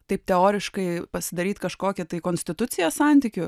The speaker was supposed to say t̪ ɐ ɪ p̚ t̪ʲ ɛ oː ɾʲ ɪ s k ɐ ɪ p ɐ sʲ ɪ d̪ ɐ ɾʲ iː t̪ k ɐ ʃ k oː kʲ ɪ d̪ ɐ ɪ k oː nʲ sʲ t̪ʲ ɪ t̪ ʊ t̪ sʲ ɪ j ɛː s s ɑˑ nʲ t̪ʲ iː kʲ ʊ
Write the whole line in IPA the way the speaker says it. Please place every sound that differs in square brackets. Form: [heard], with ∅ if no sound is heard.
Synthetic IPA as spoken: t̪ ɐ ɪ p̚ t̪ʲ ɛ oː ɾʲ ɪ [ʃ] k ɐ ɪ p ɐ sʲ ɪ d̪ ɐ ɾʲ iː t̪ k ɐ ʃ k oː kʲ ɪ [t̪] ɐ ɪ k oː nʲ sʲ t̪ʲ ɪ t̪ ʊ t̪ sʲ ɪ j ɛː s s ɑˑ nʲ t̪ʲ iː kʲ ʊ